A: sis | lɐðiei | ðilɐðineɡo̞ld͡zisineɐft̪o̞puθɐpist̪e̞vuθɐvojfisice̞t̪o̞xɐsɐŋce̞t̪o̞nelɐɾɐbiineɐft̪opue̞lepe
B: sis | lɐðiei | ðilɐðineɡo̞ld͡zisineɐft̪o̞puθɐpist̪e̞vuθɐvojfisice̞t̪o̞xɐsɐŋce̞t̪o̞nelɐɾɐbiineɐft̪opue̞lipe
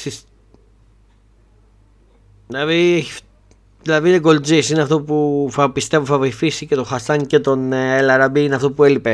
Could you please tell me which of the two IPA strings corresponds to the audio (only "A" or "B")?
B